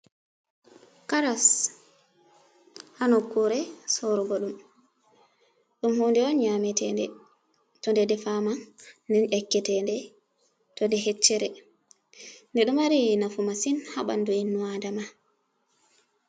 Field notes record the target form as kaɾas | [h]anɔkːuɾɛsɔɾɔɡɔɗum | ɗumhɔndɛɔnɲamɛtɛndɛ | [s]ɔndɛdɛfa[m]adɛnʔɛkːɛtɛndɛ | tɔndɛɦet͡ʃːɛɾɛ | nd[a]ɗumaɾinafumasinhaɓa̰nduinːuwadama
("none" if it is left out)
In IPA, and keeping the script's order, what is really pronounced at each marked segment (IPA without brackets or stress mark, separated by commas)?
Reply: h, t, m, ɛ